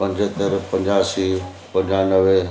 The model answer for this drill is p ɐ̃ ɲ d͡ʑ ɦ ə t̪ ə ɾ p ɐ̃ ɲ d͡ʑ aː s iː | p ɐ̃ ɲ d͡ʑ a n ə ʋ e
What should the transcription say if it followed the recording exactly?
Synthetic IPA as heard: p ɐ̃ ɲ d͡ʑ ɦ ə t̪ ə ɾ p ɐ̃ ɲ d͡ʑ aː s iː | p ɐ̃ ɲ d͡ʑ a n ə ʋ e